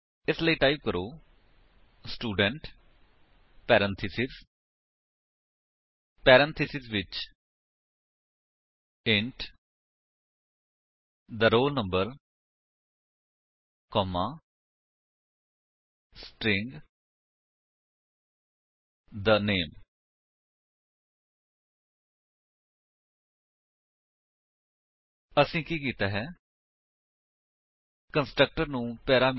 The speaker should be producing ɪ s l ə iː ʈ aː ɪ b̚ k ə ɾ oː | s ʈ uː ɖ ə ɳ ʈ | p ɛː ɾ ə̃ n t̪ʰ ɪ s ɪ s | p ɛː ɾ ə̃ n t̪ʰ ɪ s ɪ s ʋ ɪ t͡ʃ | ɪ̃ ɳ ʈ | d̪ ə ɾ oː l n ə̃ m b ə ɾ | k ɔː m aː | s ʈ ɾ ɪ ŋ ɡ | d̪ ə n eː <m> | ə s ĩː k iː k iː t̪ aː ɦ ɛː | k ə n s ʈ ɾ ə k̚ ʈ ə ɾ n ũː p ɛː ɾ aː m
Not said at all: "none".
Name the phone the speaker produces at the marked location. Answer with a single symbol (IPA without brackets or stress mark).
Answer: m